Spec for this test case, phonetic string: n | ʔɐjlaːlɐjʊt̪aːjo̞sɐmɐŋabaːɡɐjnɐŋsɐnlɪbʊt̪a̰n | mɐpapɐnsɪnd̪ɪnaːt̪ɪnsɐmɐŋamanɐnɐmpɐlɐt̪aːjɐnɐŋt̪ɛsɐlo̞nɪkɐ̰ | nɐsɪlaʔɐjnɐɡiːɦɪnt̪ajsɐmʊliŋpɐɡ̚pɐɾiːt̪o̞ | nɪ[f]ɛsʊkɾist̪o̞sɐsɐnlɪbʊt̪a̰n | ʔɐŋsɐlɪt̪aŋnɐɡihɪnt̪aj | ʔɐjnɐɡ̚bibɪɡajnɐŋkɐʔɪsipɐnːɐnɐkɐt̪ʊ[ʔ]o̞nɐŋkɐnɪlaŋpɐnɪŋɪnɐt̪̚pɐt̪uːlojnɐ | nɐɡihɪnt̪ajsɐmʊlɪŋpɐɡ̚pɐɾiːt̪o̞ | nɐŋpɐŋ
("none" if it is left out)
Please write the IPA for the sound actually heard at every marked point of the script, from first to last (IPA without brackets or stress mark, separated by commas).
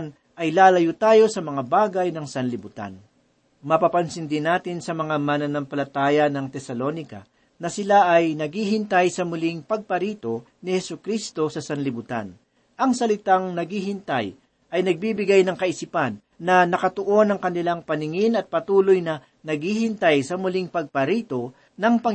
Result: h, ʔ